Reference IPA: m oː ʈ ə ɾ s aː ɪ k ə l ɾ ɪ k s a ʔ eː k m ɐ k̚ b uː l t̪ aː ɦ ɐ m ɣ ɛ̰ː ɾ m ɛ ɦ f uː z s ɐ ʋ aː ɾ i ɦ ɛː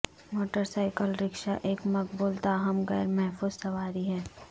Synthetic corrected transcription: m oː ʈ ə ɾ s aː ɪ k ə l ɾ ɪ k ʃ a ʔ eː k m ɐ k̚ b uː l t̪ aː ɦ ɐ m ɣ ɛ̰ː ɾ m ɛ ɦ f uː z s ɐ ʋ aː ɾ i ɦ ɛː